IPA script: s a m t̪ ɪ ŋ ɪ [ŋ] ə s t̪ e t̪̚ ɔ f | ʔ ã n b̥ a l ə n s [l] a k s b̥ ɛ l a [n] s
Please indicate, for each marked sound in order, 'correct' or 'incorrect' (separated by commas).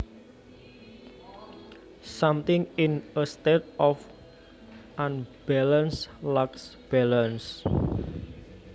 incorrect, correct, correct